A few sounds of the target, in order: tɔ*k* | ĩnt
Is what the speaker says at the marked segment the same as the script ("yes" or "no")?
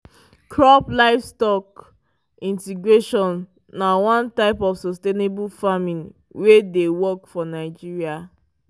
yes